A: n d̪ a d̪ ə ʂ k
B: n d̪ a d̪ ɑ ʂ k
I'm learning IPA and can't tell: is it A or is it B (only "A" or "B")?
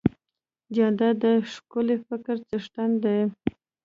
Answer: A